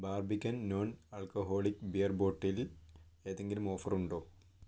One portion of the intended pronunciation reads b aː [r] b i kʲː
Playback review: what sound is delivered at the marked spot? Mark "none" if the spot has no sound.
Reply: r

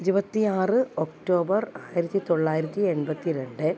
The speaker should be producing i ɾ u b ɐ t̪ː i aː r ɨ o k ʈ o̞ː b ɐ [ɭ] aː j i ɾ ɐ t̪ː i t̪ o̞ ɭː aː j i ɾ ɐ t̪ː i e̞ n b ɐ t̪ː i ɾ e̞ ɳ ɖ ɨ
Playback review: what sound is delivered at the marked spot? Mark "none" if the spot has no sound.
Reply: r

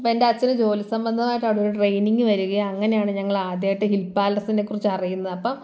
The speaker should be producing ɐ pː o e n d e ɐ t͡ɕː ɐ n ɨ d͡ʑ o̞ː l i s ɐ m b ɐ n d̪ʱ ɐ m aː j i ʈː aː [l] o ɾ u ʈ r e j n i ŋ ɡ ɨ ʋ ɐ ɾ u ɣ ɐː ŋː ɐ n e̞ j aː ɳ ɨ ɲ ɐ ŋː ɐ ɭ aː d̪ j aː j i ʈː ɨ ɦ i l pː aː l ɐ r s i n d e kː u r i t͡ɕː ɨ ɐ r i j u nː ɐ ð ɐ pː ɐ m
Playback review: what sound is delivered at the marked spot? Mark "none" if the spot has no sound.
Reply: ɽ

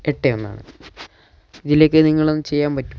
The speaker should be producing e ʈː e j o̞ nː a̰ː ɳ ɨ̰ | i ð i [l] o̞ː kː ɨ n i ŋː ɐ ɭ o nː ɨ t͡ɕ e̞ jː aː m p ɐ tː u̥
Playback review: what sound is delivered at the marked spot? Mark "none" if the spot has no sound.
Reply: l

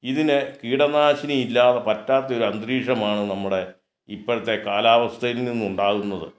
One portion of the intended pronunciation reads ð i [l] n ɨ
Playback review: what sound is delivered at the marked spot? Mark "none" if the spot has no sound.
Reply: none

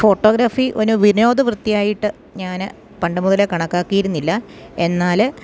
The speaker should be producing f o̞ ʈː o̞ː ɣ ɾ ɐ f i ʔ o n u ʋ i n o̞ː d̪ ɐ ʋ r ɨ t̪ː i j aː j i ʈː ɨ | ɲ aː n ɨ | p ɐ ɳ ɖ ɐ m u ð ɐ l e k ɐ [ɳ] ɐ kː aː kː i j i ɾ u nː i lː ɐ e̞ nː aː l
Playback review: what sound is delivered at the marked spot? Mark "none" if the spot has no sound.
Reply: ɳ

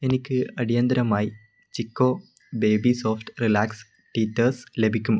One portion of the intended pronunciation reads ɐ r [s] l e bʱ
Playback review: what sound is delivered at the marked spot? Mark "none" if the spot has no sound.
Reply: s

